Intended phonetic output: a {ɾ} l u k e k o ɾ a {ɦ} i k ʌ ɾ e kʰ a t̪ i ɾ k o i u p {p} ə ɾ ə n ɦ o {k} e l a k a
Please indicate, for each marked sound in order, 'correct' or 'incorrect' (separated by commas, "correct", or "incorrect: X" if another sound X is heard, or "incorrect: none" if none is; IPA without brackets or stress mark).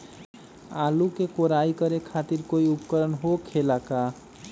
incorrect: none, incorrect: none, incorrect: k, incorrect: kʰ